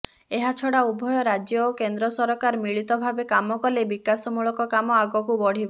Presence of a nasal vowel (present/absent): absent